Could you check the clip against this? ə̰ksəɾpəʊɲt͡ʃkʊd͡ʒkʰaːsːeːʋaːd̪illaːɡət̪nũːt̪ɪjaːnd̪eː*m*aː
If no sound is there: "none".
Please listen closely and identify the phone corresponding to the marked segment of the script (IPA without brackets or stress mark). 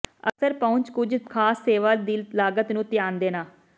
n